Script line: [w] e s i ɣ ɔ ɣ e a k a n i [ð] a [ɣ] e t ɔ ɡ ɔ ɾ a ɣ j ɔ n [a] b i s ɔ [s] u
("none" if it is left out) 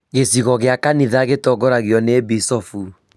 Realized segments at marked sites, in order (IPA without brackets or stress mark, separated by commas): ɣ, ð, ɣ, e, f